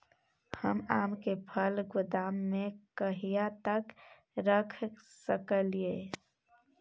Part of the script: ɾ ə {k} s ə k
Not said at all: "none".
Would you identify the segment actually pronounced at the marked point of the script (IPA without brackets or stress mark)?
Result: kʰ